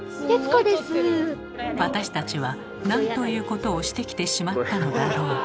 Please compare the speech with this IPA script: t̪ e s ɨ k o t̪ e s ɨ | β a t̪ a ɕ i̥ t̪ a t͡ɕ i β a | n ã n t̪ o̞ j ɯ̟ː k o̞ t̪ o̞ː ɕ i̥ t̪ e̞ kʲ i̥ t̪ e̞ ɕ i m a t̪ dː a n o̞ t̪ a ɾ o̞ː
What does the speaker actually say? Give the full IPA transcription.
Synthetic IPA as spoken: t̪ e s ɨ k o d̪ e s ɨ | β a t̪ a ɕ i̥ t̪ a t͡ɕ i β a | n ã n t̪ o̞ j ɯ̟ː k o̞ t̪ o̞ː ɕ i̥ t̪ e̞ kʲ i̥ t̪ e̞ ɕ i m a t̪ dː a n o̞ d̪ a ɾ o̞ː